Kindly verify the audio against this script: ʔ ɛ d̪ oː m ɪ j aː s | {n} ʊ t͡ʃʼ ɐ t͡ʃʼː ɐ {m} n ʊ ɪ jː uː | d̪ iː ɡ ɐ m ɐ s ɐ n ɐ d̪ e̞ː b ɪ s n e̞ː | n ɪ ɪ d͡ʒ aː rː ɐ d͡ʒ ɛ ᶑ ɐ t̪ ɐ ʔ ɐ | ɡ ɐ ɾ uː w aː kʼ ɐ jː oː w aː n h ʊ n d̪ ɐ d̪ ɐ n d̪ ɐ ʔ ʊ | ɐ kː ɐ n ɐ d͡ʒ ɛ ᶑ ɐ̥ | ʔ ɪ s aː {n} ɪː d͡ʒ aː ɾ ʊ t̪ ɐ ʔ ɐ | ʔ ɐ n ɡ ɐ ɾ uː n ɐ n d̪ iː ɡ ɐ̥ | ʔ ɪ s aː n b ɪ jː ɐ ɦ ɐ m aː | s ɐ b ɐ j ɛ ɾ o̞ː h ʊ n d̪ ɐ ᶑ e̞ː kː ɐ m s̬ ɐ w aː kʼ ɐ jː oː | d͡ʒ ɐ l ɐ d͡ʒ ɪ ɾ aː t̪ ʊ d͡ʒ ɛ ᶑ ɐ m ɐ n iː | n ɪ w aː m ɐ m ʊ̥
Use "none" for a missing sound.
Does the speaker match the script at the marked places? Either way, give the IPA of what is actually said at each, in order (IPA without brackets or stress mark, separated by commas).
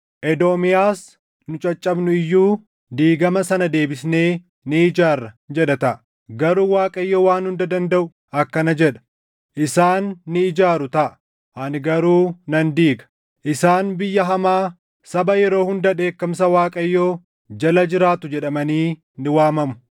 n, b, nː